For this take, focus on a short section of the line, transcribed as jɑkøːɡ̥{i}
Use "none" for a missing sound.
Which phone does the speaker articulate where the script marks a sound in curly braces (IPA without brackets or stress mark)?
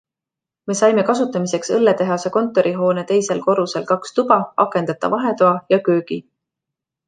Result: i